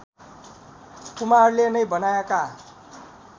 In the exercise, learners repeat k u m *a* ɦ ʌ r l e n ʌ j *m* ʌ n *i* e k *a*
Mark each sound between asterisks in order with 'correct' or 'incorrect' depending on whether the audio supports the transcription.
correct, incorrect: b, incorrect: a, correct

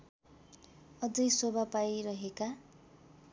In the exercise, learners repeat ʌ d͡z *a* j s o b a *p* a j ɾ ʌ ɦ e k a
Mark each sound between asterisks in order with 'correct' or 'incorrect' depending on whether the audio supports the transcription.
incorrect: ʌ, correct

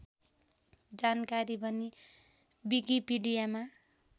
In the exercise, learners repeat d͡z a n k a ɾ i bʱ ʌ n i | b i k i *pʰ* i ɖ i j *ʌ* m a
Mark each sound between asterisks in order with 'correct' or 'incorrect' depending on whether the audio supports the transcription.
incorrect: p, incorrect: a

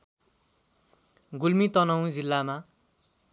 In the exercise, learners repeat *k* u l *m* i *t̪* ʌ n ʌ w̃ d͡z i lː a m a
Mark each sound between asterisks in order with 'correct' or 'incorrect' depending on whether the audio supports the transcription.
incorrect: ɡ, correct, correct

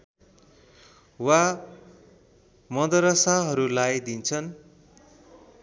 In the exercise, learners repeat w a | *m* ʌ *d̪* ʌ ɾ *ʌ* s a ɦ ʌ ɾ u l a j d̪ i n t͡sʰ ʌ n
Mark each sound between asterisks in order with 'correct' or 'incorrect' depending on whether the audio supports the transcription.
correct, correct, correct

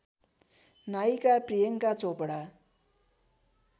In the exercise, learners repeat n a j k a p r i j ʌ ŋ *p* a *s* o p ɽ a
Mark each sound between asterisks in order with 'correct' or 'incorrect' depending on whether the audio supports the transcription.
incorrect: k, incorrect: t͡s

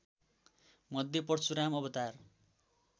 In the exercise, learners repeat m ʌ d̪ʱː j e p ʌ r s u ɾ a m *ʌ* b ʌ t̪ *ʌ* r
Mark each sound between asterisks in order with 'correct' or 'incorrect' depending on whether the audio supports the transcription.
correct, incorrect: a

